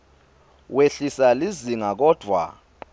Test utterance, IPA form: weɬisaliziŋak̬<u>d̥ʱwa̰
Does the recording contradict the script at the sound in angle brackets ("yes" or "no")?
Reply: yes